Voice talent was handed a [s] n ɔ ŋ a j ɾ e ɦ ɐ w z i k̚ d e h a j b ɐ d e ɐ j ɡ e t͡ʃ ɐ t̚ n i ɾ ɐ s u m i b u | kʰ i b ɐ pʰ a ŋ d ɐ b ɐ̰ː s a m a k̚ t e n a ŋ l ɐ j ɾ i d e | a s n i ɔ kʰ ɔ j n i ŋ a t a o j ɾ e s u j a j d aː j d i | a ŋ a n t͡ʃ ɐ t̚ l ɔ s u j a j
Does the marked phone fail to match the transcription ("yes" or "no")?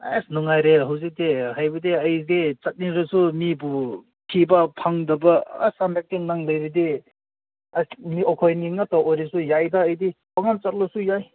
no